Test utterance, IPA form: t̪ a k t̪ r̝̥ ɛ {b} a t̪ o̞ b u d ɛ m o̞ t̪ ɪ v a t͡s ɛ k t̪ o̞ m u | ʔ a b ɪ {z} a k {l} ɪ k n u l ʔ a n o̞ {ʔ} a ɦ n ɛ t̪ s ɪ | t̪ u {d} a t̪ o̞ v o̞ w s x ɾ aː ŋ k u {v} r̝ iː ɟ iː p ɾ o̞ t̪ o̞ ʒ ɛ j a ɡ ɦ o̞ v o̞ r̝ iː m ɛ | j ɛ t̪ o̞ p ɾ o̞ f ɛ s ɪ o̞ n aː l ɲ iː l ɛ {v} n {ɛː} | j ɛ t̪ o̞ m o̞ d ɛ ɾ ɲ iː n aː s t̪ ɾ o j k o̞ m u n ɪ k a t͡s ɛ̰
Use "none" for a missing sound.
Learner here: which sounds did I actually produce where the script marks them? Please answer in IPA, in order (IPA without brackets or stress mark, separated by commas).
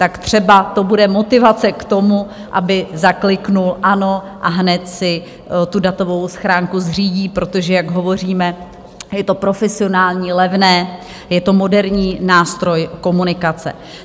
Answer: b, z, l, ʔ, d, z, v, ɛː